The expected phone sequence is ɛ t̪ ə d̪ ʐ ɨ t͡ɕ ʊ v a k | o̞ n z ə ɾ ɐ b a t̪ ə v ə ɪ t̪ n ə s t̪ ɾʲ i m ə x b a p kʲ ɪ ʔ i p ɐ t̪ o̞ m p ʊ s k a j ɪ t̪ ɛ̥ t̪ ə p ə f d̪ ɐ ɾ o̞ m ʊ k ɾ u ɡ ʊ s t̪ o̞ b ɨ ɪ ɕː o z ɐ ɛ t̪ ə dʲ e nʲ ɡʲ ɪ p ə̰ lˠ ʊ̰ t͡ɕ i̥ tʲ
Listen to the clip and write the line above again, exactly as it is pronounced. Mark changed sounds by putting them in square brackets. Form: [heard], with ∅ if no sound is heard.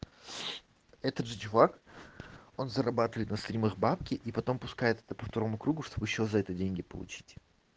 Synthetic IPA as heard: ɛ t̪ ə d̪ ʐ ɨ t͡ɕ ʊ v a k | o̞ n z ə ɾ ɐ b a t̪ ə v ə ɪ t̪ n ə s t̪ ɾʲ i m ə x b a p kʲ ɪ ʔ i p ɐ t̪ o̞ m p ʊ s k a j ɪ t̪ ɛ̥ t̪ ə p ə f [t̪] ɐ ɾ o̞ m ʊ k ɾ u ɡ ʊ [ʂ] t̪ o̞ b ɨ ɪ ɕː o z ɐ ɛ t̪ ə dʲ e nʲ ɡʲ ɪ p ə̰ lˠ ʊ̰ t͡ɕ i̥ tʲ